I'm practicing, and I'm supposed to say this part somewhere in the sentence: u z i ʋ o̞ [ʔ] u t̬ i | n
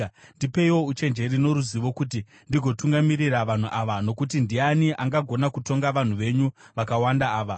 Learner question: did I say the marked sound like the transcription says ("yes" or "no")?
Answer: no